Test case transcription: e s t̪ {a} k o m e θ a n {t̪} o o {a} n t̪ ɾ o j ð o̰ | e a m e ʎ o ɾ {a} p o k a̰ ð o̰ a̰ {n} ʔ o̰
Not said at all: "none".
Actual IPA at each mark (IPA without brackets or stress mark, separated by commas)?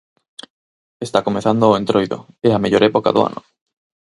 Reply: a, d̪, e, e, n